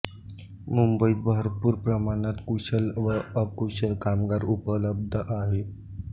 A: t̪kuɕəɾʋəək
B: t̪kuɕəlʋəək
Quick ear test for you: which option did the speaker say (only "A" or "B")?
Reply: B